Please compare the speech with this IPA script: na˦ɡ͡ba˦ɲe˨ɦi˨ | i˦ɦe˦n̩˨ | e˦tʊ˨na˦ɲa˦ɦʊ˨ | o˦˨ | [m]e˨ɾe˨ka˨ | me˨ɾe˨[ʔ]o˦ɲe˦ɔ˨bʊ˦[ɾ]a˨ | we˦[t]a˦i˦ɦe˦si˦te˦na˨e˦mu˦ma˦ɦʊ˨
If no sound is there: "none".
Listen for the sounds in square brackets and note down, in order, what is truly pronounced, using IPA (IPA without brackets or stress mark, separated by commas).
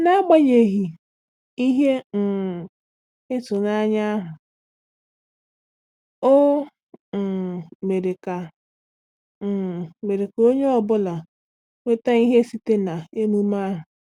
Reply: m, k, l, t